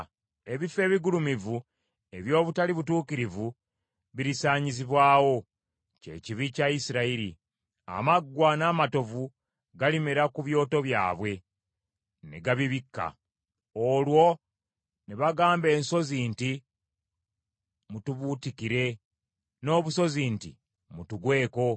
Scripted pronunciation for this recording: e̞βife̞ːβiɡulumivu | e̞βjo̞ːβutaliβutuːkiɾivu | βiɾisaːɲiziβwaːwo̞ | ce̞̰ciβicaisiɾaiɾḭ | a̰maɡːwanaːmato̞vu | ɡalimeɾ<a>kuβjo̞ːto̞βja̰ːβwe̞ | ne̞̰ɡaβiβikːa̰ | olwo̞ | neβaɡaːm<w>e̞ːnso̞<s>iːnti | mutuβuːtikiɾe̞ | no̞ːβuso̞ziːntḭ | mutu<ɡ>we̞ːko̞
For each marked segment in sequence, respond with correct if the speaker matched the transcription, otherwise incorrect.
correct, incorrect, incorrect, correct

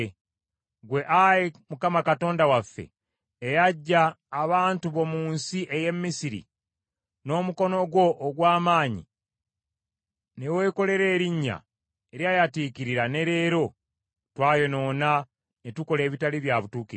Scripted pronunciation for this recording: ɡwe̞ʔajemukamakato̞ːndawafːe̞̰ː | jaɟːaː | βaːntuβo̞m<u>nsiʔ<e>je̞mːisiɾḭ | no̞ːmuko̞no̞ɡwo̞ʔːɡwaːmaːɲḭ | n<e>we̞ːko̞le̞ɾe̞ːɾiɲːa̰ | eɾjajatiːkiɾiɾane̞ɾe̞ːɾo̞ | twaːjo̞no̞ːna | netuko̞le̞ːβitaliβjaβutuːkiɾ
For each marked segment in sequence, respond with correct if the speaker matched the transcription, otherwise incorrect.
incorrect, correct, correct

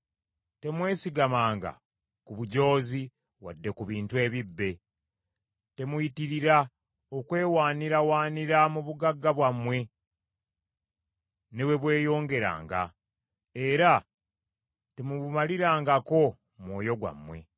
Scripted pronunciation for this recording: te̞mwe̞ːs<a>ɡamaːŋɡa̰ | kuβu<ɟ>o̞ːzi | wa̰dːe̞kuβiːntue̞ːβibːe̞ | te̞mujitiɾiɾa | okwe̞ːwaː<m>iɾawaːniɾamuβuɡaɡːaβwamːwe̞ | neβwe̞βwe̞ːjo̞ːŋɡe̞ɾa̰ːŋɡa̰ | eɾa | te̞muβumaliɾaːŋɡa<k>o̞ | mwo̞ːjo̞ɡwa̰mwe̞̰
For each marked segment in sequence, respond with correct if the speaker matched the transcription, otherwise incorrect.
incorrect, correct, incorrect, correct

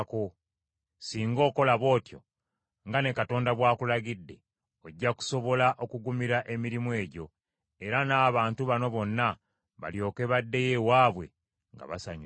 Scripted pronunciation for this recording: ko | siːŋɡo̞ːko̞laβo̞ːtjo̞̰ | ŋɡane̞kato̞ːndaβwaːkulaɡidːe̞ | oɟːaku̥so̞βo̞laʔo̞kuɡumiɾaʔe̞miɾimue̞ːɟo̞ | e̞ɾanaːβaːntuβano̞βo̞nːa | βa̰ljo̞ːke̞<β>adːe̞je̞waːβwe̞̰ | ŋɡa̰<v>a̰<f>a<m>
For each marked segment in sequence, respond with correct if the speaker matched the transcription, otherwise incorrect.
correct, incorrect, incorrect, incorrect

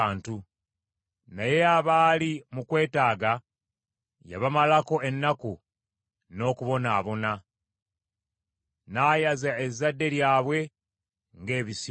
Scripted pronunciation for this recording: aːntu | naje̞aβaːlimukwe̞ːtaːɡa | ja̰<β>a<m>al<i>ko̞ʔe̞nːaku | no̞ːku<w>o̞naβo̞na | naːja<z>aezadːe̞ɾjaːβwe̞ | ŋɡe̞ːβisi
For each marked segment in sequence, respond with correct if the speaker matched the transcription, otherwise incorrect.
correct, correct, incorrect, incorrect, correct

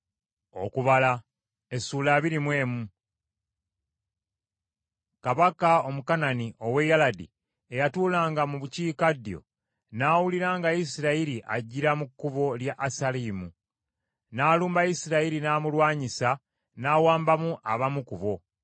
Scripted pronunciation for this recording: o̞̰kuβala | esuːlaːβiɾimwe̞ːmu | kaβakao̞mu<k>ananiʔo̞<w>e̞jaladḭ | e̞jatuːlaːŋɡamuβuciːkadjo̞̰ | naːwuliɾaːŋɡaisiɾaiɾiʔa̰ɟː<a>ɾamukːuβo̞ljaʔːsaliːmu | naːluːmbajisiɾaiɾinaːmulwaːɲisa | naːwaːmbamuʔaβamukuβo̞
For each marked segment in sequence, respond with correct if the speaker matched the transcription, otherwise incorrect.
correct, correct, incorrect

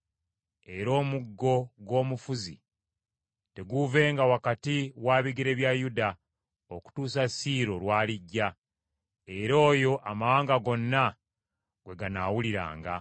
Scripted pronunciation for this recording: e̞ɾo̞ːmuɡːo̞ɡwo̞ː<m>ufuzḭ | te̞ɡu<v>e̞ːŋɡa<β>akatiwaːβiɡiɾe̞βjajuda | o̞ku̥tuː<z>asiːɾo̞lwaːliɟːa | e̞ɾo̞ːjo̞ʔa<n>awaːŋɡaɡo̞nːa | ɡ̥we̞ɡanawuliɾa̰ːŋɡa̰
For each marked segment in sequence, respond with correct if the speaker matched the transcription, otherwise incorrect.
correct, correct, incorrect, incorrect, incorrect

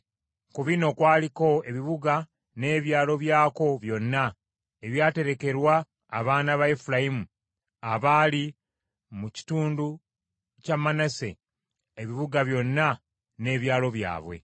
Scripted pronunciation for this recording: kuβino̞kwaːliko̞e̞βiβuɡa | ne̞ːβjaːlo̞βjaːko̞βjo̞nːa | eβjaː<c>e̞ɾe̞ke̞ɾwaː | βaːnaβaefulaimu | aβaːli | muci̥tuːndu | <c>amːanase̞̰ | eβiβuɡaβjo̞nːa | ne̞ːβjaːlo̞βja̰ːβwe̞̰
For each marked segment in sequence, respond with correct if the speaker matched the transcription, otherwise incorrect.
incorrect, correct

